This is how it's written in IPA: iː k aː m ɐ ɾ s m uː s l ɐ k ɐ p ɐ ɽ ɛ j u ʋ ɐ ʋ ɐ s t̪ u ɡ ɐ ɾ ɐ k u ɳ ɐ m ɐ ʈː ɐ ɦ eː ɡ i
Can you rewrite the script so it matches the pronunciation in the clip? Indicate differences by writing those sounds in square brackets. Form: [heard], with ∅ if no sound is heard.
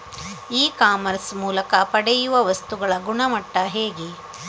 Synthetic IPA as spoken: iː k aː m ɐ ɾ s m uː [∅] l ɐ k ɐ p ɐ ɽ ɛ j u ʋ ɐ ʋ ɐ s t̪ u ɡ ɐ [ɭ] ɐ [ɡ] u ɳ ɐ m ɐ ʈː ɐ ɦ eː ɡ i